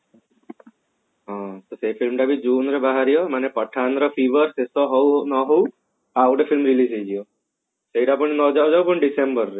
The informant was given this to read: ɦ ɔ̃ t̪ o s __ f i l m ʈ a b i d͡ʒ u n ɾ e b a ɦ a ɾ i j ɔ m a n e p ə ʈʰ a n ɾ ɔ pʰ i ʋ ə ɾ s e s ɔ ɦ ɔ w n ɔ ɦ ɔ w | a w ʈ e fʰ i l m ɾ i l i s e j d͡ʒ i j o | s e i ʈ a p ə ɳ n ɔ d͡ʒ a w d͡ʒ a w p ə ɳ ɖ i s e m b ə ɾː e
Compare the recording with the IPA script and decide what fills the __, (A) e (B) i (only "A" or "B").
A